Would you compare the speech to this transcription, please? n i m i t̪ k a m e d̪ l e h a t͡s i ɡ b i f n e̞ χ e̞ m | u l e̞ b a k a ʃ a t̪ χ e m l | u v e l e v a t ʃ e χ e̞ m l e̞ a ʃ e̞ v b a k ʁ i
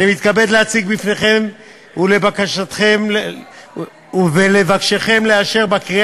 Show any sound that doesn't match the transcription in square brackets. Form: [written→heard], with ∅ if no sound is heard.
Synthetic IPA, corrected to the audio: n i m i t̪ k a [m→b] e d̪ l e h a t͡s i ɡ b i f n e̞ χ e̞ m | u l e̞ b a k a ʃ a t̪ χ e m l | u v e l e v a [t→k] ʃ e χ e̞ m l e̞ a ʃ e̞ [v→ʁ] b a k ʁ i